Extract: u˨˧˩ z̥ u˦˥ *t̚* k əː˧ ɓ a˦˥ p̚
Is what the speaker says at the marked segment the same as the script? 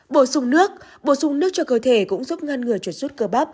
yes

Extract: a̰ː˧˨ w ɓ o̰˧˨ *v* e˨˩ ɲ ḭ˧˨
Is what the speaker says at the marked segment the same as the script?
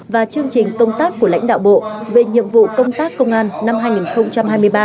yes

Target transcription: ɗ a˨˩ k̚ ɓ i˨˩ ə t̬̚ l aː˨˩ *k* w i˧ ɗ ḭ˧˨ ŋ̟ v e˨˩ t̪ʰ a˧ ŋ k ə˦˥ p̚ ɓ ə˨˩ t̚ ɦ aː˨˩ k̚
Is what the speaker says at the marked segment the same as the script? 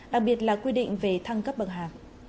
yes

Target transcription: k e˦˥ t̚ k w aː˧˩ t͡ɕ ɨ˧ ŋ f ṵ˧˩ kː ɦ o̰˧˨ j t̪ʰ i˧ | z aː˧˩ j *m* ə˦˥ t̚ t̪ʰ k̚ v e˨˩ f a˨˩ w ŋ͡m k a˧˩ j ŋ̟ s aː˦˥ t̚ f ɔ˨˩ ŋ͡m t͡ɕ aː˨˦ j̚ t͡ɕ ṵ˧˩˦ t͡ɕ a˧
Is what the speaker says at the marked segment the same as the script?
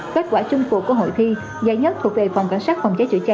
no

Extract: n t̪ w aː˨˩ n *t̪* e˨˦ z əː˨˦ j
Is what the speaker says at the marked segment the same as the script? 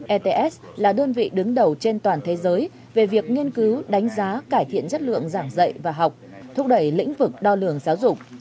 no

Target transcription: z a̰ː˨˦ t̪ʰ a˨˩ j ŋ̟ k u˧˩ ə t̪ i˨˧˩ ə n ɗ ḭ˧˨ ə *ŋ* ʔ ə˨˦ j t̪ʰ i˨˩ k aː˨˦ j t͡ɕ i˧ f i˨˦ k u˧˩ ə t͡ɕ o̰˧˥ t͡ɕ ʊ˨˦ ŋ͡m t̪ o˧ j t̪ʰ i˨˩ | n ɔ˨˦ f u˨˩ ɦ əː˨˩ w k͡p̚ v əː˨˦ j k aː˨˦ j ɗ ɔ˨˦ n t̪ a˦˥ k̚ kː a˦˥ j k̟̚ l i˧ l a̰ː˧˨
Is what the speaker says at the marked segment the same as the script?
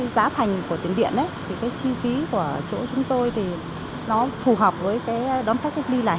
no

